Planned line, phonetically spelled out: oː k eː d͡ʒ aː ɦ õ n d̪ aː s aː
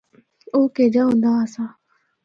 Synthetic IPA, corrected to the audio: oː k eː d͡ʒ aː ɦ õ n d̪ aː s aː

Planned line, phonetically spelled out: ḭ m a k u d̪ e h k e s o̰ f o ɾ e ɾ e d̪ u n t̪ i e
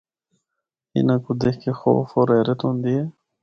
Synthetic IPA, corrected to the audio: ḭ n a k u d̪ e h k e x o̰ f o ɾ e ɾ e t̪ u n d̪ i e

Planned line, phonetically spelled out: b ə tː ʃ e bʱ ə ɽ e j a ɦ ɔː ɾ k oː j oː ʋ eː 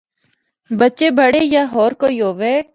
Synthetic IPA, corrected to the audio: b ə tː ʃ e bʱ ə ɽ e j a ɦ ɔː ɾ k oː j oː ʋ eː

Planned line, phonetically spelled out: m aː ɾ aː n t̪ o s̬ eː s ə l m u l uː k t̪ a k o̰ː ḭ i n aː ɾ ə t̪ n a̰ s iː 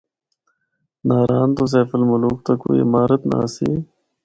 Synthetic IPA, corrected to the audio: n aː ɾ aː n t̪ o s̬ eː f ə l m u l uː k t̪ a k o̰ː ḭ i m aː ɾ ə t̪ n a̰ s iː

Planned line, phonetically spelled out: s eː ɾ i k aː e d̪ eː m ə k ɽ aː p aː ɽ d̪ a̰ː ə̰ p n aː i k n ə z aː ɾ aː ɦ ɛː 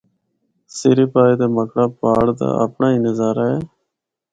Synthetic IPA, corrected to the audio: s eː ɾ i p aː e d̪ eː m ə k ɽ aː p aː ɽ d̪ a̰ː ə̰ p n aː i n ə z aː ɾ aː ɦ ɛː

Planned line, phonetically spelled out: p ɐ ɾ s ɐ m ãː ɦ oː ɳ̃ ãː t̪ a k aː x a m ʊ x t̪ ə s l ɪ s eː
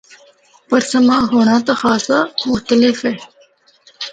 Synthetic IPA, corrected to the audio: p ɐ ɾ s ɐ m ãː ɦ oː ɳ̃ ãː t̪ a x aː s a m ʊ x t̪ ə l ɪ f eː

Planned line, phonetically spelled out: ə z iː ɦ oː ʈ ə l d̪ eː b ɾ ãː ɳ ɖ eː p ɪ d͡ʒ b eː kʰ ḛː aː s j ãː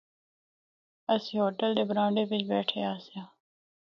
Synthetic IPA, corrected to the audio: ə s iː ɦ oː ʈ ə l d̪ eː b ɾ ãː ɳ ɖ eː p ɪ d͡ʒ b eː ʈʰ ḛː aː s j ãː

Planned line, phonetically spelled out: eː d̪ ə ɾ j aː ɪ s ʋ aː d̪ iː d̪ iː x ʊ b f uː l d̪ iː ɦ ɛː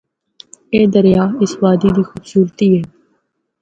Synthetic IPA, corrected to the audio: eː d̪ ə ɾ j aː ɪ s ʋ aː d̪ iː d̪ iː x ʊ b s uː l t̪ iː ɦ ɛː

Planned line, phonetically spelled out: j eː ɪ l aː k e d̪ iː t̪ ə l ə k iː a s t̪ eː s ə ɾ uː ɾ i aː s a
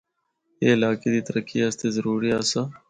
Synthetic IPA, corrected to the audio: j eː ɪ l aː k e d̪ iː t̪ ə ɾ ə k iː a s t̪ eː z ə ɾ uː ɾ i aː s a

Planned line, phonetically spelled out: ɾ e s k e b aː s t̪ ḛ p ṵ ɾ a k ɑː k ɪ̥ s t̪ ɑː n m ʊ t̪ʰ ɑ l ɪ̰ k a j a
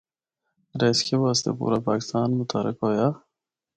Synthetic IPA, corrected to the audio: ɾ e s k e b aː s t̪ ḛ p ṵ ɾ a p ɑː k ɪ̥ s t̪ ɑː n m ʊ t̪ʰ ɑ ɾ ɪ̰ k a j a

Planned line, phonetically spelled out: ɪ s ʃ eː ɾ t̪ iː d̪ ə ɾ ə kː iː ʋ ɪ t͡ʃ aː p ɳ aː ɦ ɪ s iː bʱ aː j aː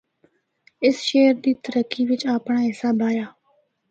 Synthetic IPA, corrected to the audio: ɪ s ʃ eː ɾ d̪ iː t̪ ə ɾ ə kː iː ʋ ɪ t͡ʃ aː p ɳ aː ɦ ɪ s aː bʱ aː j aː

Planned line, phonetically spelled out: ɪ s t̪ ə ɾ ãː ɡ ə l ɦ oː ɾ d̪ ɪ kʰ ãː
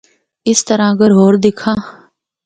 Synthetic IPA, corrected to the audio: ɪ s t̪ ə ɾ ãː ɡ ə ɾ ɦ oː ɾ d̪ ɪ kʰ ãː

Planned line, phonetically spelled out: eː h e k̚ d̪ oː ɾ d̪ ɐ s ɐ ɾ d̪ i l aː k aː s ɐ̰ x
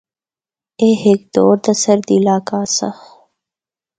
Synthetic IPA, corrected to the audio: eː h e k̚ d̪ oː ɾ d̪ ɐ s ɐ ɾ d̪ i l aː k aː s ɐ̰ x

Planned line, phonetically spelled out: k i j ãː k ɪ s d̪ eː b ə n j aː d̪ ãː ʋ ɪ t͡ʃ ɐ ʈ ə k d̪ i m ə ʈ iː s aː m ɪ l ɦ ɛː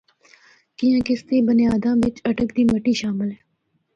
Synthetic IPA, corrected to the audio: k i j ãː k ɪ s t̪ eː b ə n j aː d̪ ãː ʋ ɪ t͡ʃ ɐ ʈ ə k d̪ iː m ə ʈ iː ʃ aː m ɪ l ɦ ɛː

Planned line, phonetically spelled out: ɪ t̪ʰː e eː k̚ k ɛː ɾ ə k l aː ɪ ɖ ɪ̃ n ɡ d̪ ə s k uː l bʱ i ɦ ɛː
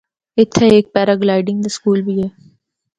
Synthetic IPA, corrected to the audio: ɪ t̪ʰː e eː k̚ p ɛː ɾ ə ɡ l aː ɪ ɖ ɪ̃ ŋ ɡ d̪ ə s k uː l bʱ i ɦ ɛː

